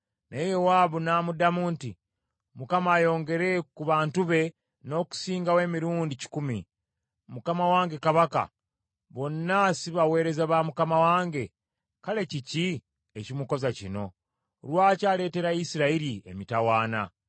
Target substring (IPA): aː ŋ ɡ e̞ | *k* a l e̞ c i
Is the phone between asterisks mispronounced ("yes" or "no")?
no